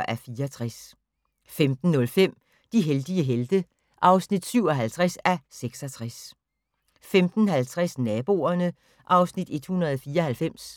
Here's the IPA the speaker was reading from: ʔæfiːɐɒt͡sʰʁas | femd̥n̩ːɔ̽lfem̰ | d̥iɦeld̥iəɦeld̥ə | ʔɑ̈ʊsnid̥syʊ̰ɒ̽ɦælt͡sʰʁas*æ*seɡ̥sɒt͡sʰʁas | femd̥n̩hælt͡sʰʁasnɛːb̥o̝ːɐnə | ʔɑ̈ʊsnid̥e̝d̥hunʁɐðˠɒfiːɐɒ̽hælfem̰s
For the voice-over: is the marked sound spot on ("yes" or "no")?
yes